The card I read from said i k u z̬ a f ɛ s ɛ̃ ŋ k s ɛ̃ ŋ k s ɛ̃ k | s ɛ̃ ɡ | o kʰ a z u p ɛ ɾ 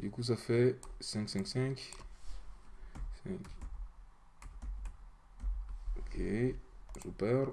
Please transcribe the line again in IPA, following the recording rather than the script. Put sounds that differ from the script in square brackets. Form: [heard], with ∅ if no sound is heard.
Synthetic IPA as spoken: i k u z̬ a f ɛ s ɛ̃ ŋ k s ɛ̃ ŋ k s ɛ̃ k | s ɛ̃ [k] | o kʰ [e] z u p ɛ ɾ